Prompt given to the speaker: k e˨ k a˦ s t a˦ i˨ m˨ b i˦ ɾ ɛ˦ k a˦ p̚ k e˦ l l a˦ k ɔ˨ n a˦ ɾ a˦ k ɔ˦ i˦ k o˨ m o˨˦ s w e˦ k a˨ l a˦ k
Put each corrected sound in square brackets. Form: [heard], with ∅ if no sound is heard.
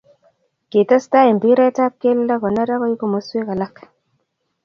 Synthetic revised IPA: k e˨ [t] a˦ s t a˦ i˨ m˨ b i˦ ɾ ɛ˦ [t] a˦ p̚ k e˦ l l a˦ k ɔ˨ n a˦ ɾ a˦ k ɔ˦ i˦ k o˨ m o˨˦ s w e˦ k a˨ l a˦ k